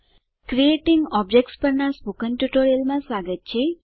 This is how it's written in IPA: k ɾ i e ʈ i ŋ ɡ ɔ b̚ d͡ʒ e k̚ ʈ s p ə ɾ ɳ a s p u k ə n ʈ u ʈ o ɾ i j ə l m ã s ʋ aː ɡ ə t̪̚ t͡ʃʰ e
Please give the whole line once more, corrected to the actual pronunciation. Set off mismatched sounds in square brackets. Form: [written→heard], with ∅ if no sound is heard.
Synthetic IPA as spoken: k ɾ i e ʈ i ŋ ɡ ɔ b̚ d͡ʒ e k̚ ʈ s p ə ɾ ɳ a s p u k ə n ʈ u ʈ o ɾ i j ə l m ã s ʋ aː ɡ ə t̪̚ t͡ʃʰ e